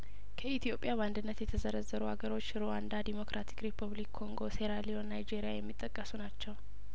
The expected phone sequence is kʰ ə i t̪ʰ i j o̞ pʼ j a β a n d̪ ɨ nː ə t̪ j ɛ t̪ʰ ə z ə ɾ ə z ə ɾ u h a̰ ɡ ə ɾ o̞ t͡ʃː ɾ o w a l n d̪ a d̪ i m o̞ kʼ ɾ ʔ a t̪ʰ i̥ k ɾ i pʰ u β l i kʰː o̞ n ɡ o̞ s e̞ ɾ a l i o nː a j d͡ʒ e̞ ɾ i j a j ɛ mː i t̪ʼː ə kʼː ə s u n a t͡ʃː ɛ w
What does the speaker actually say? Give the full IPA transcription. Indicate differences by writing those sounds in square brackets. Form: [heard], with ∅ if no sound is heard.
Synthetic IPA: kʰ ə i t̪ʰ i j o̞ pʼ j a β a n d̪ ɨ nː ə t̪ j ɛ t̪ʰ ə z ə ɾ ə z ə ɾ u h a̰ ɡ ə ɾ o̞ t͡ʃː ɾ o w a [∅] n d̪ a d̪ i m o̞ [k] ɾ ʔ a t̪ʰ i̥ k ɾ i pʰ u β l i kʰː o̞ [ŋ] ɡ o̞ s e̞ ɾ a l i o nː a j d͡ʒ e̞ ɾ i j a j ɛ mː i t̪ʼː ə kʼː ə s u n a t͡ʃː ɛ w